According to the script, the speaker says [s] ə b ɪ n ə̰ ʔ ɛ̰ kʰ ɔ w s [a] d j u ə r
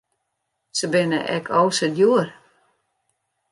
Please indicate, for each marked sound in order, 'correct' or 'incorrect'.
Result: correct, incorrect

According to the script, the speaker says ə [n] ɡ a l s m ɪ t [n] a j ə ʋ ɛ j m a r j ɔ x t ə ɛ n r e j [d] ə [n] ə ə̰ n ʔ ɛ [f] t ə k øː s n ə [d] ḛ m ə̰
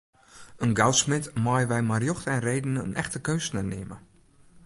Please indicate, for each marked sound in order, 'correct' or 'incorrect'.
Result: correct, incorrect, correct, correct, incorrect, incorrect

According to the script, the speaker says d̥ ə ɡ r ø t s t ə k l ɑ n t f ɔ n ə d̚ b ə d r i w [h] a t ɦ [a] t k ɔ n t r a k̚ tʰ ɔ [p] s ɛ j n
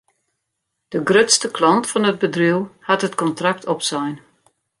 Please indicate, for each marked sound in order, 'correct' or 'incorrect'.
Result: correct, incorrect, correct

